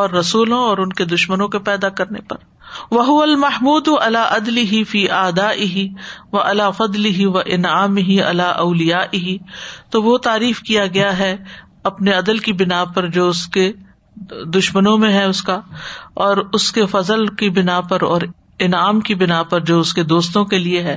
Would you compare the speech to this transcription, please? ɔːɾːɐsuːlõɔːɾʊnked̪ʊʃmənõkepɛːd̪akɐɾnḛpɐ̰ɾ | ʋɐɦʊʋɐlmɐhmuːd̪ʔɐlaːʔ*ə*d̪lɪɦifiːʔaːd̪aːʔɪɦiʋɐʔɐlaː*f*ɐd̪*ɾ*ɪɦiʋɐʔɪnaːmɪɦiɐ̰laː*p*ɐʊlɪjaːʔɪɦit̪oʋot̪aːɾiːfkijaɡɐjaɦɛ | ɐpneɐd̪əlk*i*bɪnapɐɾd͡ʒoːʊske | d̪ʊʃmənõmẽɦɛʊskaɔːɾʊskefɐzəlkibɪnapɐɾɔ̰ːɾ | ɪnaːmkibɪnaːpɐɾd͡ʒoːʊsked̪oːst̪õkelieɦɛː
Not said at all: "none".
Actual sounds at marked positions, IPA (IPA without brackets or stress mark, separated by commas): ɐ, f, l, ʔ, i